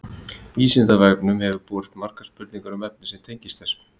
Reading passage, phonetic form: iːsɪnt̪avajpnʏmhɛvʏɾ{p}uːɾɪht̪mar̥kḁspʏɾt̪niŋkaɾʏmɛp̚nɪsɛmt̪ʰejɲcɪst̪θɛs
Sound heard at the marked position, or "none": p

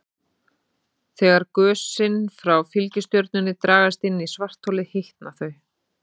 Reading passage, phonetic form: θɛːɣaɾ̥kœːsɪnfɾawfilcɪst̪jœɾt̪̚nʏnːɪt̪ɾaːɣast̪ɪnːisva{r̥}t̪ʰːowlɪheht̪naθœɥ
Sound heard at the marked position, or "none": r̥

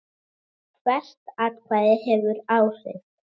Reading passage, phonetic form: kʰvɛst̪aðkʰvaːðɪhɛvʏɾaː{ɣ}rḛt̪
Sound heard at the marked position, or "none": w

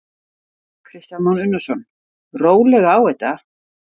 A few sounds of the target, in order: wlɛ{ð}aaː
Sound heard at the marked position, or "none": ɣ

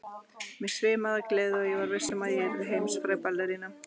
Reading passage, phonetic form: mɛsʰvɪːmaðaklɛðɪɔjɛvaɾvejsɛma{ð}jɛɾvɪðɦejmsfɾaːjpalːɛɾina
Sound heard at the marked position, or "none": ð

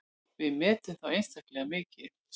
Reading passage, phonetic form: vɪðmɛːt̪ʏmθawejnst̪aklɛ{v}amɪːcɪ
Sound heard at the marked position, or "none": ɣ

